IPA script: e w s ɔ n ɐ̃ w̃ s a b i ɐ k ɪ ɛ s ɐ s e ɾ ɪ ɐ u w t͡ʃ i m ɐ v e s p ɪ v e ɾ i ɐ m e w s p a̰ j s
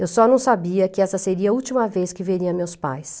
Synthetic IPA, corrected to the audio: e w s ɔ n ɐ̃ w̃ s a b i ɐ k ɪ ɛ s ɐ s e ɾ i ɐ u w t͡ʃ i m ɐ v e s k ɪ v e ɾ i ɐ m e w s p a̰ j s